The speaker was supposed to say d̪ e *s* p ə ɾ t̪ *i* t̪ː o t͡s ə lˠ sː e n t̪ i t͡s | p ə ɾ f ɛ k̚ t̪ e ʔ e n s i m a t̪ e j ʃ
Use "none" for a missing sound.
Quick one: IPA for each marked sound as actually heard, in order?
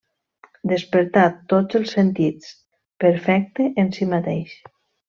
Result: s, a

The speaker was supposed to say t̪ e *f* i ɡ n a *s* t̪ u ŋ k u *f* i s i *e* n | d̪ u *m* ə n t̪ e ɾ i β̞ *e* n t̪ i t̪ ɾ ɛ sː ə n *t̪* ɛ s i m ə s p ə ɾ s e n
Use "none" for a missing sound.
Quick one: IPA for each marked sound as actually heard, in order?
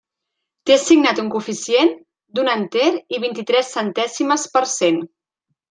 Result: s, none, f, e, n, i, t̪

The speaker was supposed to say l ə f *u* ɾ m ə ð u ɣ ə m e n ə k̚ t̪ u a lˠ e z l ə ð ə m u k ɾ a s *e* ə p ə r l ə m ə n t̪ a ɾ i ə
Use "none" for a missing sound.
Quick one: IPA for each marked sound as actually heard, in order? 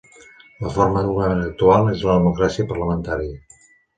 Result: o, i

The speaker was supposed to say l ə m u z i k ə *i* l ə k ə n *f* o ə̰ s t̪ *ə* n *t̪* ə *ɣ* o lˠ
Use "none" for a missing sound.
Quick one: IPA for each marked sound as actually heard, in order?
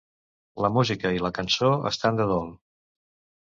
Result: i, s, a, d̪, ð

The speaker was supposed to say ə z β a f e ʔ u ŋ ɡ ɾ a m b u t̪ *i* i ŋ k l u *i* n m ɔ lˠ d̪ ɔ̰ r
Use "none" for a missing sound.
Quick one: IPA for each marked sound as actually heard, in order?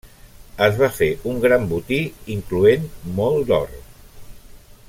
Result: i, e

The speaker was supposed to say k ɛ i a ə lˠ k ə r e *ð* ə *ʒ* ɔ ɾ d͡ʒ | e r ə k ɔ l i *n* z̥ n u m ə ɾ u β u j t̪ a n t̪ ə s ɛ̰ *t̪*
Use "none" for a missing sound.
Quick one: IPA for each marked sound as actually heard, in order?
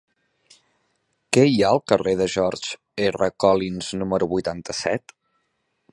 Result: ð, ʒ, n, t̪

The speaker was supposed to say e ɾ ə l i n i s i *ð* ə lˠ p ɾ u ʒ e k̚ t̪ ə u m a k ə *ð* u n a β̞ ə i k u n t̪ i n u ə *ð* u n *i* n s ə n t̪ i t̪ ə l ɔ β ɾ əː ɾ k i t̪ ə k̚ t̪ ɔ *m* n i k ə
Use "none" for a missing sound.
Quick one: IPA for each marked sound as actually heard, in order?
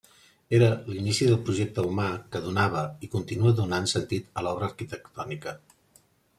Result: ð, ð, ð, a, none

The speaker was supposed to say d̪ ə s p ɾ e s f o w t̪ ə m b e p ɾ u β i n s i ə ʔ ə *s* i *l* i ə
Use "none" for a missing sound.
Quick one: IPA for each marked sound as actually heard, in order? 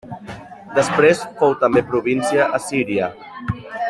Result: s, ɾ

